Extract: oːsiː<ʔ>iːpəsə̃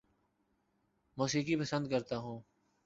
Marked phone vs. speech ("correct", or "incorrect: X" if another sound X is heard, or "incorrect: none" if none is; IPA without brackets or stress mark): incorrect: k